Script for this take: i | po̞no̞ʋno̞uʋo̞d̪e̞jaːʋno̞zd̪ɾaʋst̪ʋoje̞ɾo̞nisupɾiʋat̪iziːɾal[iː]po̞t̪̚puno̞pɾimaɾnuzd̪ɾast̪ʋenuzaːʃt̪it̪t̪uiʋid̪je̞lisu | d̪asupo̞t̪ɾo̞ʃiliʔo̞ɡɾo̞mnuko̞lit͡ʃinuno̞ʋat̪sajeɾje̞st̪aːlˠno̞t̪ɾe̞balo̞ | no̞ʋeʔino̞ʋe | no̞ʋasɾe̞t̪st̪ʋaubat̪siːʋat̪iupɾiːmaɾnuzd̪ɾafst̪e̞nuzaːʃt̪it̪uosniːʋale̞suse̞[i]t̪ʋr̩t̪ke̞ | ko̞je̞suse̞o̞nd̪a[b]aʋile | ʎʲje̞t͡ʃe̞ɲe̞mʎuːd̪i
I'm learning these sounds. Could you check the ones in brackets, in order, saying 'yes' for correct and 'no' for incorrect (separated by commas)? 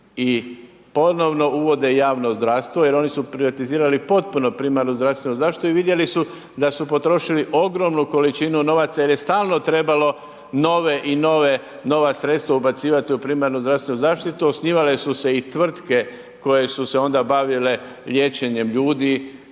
no, yes, yes